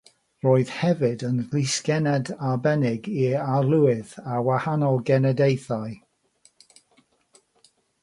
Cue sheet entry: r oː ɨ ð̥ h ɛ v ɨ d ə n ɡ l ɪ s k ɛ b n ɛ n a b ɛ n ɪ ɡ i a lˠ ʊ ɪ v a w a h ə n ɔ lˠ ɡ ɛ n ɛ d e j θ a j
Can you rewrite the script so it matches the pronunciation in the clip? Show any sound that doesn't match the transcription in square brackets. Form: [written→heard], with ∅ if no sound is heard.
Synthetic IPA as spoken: r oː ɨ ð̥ h ɛ v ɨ d ə n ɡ l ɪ s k ɛ [b→∅] n ɛ [n→d] a b ɛ n ɪ ɡ i a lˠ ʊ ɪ [v→ð] a w a h [ə→a] n ɔ lˠ ɡ ɛ n ɛ d e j θ a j